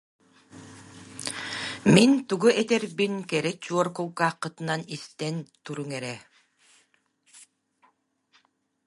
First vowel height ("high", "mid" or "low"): high